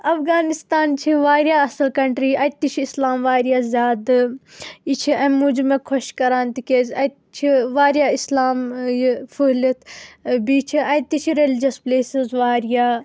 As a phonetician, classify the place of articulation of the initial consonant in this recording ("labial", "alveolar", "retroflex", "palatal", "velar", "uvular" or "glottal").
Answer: labial